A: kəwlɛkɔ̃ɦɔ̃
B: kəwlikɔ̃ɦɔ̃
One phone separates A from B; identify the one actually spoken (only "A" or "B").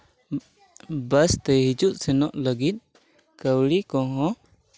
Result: B